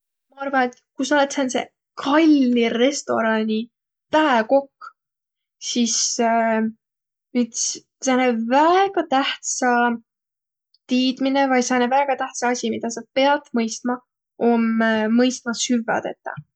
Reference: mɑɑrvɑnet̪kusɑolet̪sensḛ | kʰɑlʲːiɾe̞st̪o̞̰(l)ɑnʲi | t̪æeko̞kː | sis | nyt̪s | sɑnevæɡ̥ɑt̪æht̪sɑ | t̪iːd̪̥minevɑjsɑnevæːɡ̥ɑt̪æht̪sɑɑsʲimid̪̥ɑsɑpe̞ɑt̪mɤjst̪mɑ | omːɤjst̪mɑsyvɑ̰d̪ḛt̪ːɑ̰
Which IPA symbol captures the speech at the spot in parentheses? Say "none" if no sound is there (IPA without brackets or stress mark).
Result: ɾ